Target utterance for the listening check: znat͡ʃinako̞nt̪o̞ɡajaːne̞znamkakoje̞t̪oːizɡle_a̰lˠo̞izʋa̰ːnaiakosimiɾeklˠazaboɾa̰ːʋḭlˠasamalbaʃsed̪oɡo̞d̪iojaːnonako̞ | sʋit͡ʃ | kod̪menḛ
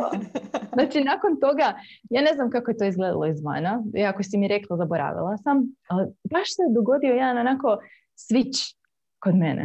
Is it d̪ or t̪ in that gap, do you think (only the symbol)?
d̪